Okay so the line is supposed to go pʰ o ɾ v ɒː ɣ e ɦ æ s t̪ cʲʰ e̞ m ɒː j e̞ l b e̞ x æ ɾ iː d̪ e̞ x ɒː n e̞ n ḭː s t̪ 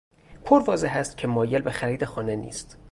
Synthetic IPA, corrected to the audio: pʰ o ɾ v ɒː z e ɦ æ s t̪ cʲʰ e̞ m ɒː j e̞ l b e̞ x æ ɾ iː d̪ e̞ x ɒː n e̞ n ḭː s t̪